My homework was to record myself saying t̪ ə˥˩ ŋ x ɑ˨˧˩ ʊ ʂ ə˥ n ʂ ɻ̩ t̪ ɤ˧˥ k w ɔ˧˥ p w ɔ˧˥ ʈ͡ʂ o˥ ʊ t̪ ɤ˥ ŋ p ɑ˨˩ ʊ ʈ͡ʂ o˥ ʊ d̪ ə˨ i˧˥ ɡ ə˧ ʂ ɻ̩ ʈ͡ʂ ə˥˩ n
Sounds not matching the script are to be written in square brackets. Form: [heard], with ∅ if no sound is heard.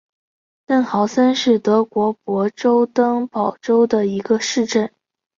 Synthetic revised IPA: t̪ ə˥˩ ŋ x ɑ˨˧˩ ʊ [s] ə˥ n ʂ ɻ̩ t̪ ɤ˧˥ k w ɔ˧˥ p w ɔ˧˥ ʈ͡ʂ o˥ ʊ t̪ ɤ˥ ŋ p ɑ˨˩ ʊ ʈ͡ʂ o˥ ʊ d̪ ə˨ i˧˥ ɡ ə˧ ʂ ɻ̩ ʈ͡ʂ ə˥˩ n